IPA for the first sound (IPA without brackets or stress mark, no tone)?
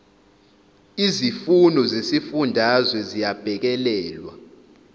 i